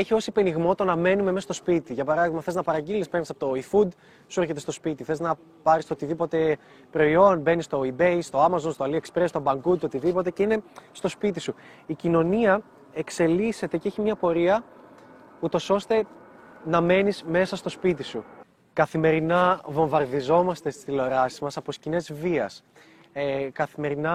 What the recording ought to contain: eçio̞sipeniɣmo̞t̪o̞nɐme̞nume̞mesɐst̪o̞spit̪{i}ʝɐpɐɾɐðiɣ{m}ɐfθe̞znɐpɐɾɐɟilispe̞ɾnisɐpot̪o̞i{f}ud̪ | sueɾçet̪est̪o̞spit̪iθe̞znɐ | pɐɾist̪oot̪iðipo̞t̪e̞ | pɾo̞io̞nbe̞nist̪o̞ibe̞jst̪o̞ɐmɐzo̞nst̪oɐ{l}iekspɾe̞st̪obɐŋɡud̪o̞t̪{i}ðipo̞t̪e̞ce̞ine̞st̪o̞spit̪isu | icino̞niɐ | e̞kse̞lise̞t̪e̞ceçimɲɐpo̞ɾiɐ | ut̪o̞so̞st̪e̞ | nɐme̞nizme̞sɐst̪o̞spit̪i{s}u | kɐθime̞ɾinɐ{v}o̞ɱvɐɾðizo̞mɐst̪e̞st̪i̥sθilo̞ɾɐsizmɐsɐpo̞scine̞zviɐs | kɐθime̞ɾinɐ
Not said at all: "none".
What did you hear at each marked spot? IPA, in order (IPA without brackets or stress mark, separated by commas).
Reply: i, m, f, l, i, s, v